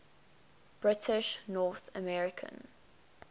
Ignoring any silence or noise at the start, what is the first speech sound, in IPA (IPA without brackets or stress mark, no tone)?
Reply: b̥